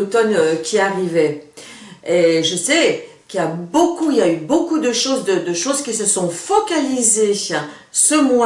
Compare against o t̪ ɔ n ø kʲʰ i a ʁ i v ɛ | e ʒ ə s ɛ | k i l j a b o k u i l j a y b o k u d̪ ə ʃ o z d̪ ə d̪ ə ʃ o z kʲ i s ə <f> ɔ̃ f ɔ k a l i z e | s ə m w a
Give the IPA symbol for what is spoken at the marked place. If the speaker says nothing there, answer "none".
s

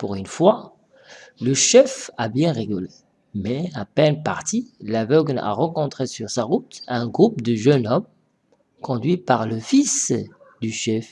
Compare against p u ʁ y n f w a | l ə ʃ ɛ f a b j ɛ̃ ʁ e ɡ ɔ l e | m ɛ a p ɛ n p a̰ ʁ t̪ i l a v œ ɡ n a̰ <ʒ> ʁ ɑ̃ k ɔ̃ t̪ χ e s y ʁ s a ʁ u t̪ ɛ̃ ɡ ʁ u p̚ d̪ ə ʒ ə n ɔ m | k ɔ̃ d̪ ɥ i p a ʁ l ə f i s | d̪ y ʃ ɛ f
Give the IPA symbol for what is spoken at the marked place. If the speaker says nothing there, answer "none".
none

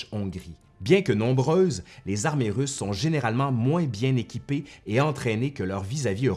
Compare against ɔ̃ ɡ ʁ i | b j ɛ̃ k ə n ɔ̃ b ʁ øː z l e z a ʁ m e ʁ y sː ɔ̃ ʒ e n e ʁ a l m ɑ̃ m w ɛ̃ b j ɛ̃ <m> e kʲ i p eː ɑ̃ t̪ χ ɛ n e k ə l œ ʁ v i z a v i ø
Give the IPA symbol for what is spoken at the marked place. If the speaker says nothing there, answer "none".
n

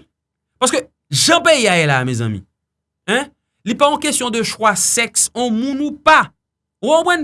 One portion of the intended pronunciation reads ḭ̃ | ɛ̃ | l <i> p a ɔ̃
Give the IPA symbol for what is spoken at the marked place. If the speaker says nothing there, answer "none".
i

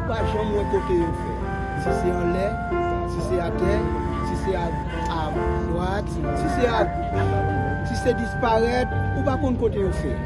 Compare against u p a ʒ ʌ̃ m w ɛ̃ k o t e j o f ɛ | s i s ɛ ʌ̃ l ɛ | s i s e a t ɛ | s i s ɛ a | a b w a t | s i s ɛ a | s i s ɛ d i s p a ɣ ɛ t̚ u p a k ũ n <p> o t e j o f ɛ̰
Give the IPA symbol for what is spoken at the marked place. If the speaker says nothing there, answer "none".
k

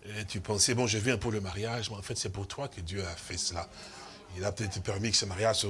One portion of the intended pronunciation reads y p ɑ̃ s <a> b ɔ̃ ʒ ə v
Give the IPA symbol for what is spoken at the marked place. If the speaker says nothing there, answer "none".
ɛ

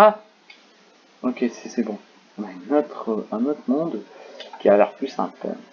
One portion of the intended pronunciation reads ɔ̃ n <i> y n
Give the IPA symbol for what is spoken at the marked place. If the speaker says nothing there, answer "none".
a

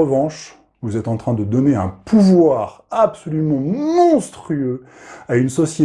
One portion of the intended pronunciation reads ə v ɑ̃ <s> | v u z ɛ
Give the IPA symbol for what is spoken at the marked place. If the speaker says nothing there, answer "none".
ʃ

